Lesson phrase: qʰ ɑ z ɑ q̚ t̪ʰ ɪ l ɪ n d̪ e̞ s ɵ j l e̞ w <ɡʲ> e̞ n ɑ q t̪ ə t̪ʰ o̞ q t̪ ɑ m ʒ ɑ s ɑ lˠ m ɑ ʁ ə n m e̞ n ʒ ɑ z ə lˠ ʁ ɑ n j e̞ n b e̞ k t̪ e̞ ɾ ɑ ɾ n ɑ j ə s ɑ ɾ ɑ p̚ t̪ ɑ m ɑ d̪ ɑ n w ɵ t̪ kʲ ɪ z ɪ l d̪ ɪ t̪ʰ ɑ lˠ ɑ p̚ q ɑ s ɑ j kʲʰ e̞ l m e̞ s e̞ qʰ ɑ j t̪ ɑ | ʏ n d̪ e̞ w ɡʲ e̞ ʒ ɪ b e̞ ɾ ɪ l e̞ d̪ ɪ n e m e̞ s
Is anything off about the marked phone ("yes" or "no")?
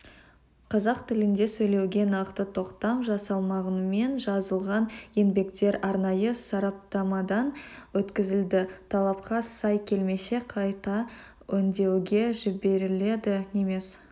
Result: no